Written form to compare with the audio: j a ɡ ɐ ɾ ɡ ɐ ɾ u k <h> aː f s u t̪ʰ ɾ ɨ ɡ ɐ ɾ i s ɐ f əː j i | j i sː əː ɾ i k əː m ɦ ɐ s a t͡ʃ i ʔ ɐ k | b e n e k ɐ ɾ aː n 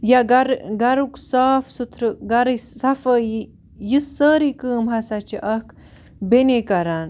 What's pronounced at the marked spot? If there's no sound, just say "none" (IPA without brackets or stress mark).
s